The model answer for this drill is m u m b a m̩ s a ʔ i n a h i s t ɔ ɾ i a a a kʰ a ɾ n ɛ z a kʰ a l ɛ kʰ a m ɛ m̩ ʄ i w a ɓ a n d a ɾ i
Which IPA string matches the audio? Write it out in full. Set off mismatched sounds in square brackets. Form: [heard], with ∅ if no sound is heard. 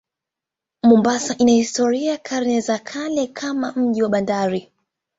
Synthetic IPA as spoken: m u m b a [∅] s a ʔ i n a h i s t ɔ ɾ i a a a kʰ a ɾ n ɛ z a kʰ a l ɛ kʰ a m [a] m̩ ʄ i w a ɓ a n d a ɾ i

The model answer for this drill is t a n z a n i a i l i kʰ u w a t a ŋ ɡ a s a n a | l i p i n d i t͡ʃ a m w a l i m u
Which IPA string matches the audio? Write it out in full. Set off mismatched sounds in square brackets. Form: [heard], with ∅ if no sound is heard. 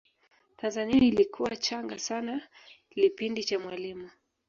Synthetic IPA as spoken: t a n z a n i a i l i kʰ u w a [t͡ʃ] a ŋ ɡ a s a n a | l i p i n d i t͡ʃ a m w a l i m u

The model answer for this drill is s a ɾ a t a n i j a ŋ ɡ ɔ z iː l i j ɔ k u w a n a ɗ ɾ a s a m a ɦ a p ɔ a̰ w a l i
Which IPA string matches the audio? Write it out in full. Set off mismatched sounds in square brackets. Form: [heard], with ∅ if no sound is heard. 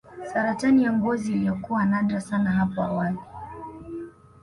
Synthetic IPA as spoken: s a ɾ a t a n i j a ŋ ɡ ɔ z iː l i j ɔ k u w a n a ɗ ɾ a s a [n] a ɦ a p ɔ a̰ w a l i

